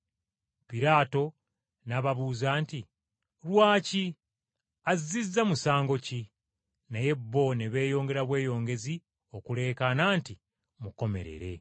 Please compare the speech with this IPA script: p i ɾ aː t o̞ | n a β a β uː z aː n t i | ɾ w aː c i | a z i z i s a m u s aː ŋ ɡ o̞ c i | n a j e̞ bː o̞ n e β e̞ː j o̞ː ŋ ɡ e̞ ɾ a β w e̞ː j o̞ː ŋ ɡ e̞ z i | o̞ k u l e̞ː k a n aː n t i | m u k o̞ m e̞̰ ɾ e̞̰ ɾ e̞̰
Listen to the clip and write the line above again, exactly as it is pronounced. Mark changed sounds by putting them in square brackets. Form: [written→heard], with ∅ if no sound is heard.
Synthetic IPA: p i ɾ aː t o̞ | n a β a β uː z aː n t i | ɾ w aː c i | a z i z i [s→z] a m u s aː ŋ ɡ o̞ c i | n a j e̞ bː o̞ n e β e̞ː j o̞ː ŋ ɡ e̞ ɾ a β w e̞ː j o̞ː ŋ ɡ e̞ z i | o̞ k u l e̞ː k a n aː n t i | m u k o̞ m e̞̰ ɾ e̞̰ ɾ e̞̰